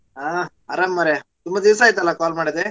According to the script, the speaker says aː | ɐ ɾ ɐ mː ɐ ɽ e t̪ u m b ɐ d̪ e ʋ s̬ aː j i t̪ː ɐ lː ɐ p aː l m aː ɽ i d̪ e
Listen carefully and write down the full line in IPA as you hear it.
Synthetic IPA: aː | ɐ ɾ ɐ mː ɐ ɾ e t̪ u m b ɐ d̪ i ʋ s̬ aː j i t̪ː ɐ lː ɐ k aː l m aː ɽ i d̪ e